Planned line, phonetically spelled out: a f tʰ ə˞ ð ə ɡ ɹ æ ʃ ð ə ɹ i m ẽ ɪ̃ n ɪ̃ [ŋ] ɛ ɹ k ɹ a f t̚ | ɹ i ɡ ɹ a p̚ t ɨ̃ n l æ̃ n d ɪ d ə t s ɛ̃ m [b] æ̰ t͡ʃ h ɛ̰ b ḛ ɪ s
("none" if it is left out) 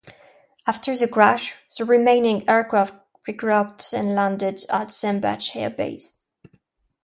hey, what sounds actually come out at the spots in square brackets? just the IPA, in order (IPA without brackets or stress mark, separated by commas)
ŋ, b